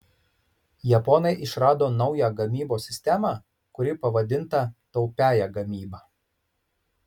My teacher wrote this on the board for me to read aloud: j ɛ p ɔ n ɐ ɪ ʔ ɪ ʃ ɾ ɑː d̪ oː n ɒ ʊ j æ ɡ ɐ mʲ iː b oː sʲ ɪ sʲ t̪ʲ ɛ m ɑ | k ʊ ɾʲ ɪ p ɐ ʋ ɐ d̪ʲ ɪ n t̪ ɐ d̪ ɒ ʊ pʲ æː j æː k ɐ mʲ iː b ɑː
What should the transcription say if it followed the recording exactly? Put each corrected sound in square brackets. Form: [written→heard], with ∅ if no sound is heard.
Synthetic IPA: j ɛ p ɔ n ɐ ɪ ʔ ɪ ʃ ɾ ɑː d̪ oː n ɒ ʊ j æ ɡ ɐ mʲ iː b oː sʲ ɪ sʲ t̪ʲ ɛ m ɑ | k ʊ ɾʲ ɪ p ɐ ʋ ɐ d̪ʲ ɪ n t̪ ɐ [d̪→t̪] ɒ ʊ pʲ æː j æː [k→ɡ] ɐ mʲ iː b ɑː